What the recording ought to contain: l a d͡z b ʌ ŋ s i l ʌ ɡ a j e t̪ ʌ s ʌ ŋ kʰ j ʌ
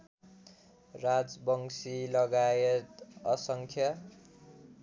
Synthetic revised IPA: r a d͡z b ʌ ŋ s i l ʌ ɡ a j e t̪ ʌ s ʌ ŋ kʰ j ʌ